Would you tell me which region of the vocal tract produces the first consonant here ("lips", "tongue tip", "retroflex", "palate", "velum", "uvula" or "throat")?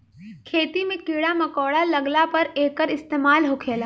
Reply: velum